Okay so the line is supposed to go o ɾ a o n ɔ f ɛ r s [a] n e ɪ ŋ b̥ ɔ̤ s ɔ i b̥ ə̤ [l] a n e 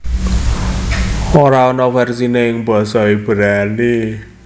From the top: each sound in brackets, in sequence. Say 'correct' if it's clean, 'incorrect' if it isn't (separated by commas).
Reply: incorrect, incorrect